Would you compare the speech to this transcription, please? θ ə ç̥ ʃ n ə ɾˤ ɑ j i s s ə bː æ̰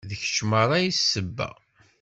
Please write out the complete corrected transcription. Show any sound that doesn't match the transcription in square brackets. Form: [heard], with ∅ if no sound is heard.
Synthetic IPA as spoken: [ð] ə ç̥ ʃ [m] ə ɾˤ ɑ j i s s ə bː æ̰